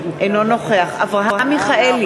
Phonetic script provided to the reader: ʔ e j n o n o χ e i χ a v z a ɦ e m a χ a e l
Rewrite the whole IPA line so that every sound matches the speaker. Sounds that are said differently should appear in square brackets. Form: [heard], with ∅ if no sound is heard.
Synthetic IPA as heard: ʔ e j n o n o χ e [a] χ a v [ʁ] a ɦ [a] m [i] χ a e l